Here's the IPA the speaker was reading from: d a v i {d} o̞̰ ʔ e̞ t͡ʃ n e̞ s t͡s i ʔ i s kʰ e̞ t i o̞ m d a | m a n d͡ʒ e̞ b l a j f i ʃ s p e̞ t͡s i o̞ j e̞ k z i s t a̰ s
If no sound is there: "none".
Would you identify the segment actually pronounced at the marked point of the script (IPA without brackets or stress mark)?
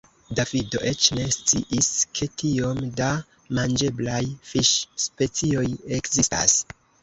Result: d